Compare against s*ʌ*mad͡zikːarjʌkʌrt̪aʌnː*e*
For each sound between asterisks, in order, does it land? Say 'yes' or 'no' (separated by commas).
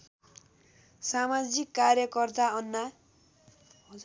no, no